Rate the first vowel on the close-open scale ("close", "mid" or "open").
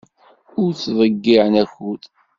close